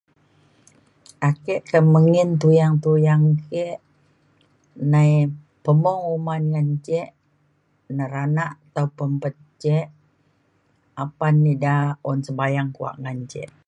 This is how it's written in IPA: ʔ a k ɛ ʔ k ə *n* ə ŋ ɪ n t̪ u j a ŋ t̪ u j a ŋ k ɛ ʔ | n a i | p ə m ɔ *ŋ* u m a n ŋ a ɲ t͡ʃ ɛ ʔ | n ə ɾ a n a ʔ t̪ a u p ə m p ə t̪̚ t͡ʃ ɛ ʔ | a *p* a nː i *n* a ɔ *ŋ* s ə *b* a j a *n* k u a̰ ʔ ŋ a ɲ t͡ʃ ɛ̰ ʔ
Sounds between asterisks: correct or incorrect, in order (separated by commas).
incorrect, correct, correct, incorrect, incorrect, correct, incorrect